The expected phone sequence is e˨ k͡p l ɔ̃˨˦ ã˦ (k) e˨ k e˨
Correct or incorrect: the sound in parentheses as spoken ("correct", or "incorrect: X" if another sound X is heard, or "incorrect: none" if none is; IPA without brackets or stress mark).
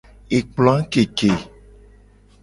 correct